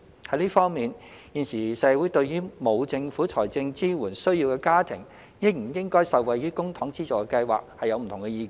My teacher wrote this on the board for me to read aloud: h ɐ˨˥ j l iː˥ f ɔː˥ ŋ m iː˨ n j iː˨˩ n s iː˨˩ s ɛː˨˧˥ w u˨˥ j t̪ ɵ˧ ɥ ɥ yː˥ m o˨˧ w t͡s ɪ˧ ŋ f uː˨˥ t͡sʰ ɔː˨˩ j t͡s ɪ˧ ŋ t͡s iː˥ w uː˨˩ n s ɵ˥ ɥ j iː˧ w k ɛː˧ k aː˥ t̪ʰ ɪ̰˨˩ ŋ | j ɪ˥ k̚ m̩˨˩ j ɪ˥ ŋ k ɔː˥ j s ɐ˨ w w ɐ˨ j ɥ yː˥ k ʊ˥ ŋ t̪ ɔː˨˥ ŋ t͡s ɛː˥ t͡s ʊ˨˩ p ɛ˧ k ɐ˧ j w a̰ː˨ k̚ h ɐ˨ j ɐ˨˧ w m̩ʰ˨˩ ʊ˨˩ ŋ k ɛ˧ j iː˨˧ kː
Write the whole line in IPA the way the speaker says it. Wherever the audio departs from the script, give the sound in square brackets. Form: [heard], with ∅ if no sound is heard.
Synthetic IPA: h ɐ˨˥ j l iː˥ f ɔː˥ ŋ m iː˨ n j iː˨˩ n s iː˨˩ s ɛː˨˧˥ w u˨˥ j t̪ ɵ˧ ɥ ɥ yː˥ m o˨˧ w t͡s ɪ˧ ŋ f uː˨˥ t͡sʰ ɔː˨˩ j t͡s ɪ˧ ŋ t͡s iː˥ w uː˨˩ n s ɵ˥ ɥ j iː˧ w k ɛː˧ k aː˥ t̪ʰ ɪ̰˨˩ ŋ | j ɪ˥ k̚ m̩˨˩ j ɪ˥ ŋ k ɔː˥ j s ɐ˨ w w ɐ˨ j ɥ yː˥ k ʊ˥ ŋ [t̪ʰ] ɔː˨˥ ŋ t͡s [iː˥] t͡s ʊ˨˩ [k] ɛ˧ k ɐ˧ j w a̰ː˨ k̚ h ɐ˨ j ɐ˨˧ w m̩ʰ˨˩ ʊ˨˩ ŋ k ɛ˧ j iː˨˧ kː